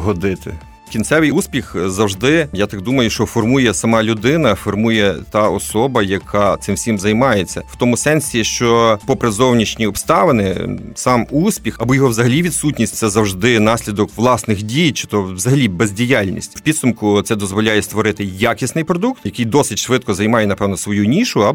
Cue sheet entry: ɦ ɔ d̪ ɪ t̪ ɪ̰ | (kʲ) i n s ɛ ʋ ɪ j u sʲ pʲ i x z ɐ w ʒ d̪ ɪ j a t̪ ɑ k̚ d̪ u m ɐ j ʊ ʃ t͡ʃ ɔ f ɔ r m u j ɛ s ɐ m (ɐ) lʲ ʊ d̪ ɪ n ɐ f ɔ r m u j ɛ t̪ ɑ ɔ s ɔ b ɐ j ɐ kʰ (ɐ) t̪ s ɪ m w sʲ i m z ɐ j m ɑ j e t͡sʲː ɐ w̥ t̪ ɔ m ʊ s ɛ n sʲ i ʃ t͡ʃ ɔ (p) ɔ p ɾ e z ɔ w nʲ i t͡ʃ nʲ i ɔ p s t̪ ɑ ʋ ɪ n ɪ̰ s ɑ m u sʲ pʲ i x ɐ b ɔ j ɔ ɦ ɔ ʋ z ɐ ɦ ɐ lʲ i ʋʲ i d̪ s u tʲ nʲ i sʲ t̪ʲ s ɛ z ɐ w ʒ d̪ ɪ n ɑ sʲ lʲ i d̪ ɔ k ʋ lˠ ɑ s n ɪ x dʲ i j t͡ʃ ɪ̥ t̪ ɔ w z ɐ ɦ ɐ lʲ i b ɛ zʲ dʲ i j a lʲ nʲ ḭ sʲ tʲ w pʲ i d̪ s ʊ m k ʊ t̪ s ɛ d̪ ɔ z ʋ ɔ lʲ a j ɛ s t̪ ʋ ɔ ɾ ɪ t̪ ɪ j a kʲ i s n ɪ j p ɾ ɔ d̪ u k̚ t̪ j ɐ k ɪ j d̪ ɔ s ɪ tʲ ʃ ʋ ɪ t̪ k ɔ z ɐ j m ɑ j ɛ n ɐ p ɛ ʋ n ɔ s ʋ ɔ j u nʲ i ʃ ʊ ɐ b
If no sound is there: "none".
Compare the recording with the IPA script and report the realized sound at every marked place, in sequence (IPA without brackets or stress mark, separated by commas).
kʲ, ɑ, ɑ, p